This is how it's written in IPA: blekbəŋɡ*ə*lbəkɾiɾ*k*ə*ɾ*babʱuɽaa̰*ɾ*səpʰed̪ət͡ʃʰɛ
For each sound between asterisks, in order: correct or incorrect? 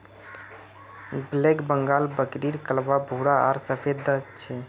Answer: incorrect, correct, incorrect, correct

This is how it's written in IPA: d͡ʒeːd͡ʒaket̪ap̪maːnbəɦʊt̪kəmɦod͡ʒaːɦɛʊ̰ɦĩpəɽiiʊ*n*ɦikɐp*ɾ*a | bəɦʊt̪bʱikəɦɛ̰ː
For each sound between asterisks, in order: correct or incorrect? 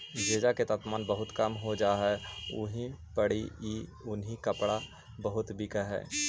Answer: correct, incorrect

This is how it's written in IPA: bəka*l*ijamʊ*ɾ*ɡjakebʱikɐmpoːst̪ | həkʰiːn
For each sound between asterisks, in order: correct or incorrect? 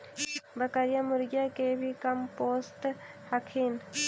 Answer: incorrect, correct

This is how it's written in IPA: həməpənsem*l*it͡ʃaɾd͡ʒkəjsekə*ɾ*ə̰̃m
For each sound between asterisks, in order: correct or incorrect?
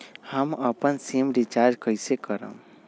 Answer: incorrect, correct

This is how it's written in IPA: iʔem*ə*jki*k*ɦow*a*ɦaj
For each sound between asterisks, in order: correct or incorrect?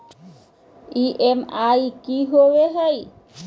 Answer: incorrect, incorrect, incorrect

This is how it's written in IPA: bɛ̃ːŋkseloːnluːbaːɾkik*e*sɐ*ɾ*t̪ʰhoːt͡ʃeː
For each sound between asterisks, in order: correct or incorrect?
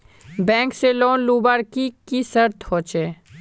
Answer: incorrect, correct

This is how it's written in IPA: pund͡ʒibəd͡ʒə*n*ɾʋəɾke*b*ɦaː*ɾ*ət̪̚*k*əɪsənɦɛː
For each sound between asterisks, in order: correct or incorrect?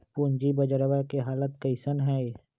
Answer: incorrect, incorrect, incorrect, correct

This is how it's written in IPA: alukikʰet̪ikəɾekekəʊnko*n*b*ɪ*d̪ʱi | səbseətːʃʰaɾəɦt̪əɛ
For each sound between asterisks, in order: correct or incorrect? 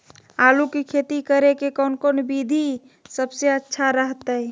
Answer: correct, incorrect

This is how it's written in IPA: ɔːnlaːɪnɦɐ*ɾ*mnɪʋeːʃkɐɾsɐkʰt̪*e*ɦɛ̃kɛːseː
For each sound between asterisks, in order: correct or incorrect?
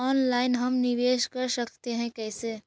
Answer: incorrect, correct

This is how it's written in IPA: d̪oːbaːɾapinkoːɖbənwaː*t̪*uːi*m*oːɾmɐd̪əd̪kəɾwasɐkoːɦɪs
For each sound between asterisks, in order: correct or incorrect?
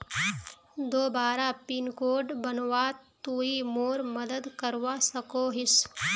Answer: correct, correct

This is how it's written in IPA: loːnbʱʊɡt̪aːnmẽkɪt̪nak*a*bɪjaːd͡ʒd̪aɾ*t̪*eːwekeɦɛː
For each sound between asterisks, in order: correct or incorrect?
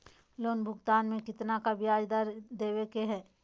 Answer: correct, incorrect

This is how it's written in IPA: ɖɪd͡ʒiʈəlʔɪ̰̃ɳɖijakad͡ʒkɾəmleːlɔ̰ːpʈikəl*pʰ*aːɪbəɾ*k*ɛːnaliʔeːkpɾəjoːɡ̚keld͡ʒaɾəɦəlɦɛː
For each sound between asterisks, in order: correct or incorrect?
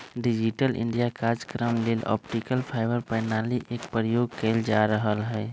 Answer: correct, incorrect

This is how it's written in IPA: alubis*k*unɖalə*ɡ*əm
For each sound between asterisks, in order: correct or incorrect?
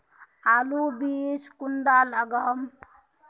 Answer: correct, correct

